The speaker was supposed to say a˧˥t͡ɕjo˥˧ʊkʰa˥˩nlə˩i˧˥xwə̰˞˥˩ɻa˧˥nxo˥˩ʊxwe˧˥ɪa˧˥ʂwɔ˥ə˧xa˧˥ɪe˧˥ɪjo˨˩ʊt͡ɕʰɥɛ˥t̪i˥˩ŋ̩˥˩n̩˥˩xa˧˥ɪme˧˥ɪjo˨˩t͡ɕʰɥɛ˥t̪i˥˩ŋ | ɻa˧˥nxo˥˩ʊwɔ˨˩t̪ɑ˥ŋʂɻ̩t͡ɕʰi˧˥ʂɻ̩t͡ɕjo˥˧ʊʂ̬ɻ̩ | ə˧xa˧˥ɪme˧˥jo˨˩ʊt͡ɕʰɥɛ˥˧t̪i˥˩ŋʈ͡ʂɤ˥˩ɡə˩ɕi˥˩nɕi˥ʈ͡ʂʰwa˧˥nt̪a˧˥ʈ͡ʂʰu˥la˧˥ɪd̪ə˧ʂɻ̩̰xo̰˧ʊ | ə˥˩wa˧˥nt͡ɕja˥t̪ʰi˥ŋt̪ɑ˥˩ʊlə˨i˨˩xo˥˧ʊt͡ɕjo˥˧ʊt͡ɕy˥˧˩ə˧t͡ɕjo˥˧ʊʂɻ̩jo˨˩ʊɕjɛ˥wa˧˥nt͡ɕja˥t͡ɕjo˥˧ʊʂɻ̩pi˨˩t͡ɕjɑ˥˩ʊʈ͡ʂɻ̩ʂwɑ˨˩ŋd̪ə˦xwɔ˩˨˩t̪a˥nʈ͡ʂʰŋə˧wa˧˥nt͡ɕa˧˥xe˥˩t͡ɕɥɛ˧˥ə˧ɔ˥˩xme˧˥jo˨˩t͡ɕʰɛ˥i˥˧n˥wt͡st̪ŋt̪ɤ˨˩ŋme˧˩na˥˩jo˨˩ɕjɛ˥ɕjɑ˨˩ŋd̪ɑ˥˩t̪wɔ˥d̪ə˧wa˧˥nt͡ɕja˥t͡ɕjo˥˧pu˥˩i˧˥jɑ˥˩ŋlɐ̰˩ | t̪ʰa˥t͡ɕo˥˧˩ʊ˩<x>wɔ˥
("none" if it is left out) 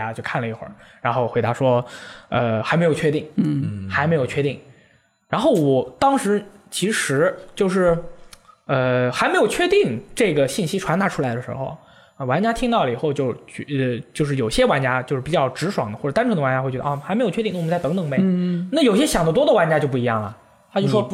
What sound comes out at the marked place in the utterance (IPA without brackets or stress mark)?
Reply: ʂ